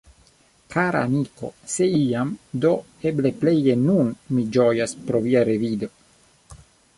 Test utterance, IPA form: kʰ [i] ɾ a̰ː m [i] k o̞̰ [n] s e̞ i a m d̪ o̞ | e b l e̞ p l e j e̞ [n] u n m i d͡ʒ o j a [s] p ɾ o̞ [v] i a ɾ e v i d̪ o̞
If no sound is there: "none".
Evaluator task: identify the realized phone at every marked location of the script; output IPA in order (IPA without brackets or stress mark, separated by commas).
a, i, none, n, s, v